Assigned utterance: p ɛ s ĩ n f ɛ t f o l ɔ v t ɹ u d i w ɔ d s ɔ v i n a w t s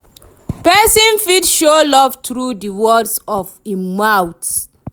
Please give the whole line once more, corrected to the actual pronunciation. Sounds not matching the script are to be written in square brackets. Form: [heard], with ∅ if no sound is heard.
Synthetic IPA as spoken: p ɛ s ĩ n f [i] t [ʃ] o l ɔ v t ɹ u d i w ɔ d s ɔ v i [m] a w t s